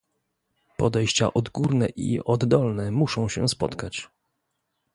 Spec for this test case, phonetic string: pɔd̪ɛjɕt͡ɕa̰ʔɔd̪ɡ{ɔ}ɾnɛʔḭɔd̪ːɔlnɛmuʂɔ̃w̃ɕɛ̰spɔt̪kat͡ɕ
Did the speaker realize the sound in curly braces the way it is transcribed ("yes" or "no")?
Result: no